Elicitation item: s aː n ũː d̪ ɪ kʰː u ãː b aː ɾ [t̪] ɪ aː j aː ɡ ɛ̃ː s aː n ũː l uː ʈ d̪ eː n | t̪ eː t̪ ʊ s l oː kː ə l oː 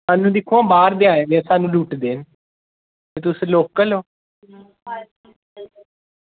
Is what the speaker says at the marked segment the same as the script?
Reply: no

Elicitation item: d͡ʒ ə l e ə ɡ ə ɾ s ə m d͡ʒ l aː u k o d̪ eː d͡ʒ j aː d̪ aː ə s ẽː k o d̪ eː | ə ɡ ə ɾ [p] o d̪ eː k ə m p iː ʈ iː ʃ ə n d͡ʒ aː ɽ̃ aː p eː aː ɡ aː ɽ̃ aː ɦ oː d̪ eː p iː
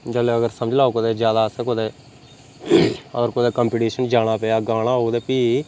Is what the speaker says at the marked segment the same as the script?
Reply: no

